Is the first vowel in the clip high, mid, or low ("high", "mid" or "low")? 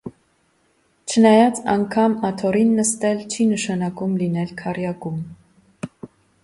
mid